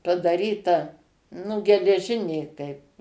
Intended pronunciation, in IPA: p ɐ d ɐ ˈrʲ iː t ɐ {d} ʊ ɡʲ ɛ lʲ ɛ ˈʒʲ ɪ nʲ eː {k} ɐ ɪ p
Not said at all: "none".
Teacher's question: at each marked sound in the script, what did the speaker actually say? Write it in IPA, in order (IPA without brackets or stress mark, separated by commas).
n, k